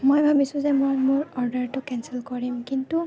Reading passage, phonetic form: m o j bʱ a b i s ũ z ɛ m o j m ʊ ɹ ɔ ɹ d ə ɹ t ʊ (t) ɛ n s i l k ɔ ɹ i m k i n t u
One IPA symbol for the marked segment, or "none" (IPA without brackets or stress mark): k